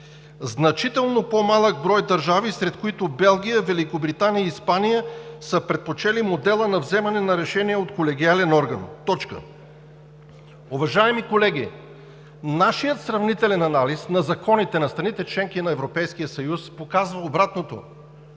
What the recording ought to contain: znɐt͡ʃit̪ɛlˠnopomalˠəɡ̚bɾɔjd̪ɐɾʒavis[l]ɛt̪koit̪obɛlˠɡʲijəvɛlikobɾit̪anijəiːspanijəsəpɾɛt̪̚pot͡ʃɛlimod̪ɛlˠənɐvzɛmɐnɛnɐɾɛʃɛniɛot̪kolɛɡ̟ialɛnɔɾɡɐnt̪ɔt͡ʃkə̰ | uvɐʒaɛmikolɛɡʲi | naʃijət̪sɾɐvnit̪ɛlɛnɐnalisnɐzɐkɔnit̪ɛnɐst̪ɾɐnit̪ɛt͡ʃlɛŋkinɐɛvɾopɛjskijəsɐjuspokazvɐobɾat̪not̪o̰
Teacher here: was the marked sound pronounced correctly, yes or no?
no